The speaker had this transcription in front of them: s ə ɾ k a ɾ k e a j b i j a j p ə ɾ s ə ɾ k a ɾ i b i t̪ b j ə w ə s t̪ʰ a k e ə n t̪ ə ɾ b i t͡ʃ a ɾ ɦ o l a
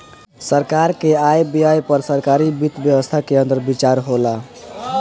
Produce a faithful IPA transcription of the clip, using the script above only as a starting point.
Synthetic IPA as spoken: s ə ɾ k a ɾ k e a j b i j a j p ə ɾ s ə ɾ k a ɾ i b i t̪ b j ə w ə s t̪ʰ a k e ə n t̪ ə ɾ b i t͡ʃ a ɾ ɦ o l a